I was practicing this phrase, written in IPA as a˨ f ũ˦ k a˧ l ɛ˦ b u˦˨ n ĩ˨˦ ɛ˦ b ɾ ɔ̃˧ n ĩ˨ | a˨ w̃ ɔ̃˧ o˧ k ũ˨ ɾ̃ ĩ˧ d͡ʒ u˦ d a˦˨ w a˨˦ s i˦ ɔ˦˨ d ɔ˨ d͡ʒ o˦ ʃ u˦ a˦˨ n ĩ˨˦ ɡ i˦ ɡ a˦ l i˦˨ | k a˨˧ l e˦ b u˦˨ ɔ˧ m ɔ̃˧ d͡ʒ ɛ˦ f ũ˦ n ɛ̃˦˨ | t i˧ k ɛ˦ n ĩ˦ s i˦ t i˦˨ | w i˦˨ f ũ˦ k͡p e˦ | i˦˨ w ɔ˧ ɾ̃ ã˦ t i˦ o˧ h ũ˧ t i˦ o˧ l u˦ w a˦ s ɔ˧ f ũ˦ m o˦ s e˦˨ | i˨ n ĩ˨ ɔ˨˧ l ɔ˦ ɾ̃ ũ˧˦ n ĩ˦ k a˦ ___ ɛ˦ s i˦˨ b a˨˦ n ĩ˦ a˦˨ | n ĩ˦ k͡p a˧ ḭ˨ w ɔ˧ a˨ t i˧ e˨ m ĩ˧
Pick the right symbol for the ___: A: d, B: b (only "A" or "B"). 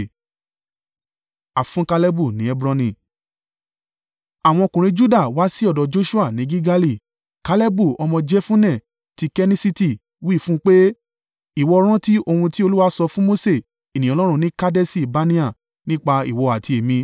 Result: A